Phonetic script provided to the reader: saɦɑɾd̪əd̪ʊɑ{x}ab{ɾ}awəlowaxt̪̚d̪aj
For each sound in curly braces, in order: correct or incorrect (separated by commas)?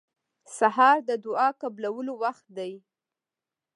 incorrect, incorrect